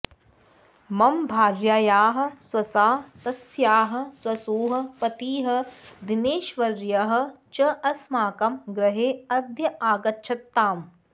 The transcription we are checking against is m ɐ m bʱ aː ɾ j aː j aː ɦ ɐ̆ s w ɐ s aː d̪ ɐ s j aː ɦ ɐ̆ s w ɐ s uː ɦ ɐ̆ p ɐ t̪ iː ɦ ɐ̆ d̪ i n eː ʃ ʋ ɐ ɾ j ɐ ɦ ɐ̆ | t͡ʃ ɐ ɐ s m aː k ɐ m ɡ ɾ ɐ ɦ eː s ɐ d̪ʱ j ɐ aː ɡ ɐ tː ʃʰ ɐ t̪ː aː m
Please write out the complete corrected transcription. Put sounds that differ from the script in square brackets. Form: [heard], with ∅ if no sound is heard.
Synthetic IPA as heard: m ɐ m bʱ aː ɾ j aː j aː ɦ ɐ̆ s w ɐ s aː [t̪] ɐ s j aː ɦ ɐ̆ s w ɐ s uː ɦ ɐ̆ p ɐ t̪ iː ɦ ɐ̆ d̪ i n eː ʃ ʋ ɐ ɾ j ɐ ɦ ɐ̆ | t͡ʃ ɐ ɐ s m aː k ɐ m ɡ ɾ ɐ ɦ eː [∅] ɐ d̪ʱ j ɐ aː ɡ ɐ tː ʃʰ ɐ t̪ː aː m